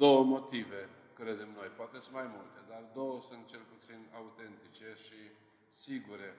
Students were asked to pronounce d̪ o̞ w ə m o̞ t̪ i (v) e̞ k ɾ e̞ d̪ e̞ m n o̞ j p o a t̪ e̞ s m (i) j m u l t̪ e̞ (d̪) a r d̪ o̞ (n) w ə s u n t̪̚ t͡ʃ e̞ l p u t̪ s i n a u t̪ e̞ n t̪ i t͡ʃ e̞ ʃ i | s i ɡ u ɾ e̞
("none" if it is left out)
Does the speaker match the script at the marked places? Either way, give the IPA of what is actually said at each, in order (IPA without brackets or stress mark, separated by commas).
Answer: v, a, d̪, none